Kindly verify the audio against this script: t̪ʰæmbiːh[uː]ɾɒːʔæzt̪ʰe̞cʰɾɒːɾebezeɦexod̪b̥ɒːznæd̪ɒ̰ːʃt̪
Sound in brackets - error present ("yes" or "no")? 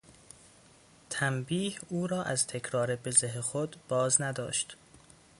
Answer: no